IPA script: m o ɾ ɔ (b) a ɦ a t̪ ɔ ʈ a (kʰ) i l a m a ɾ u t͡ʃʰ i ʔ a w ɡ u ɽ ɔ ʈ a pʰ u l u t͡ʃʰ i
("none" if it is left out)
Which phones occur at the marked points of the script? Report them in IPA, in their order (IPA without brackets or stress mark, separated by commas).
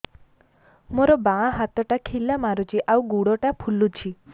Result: b, kʰ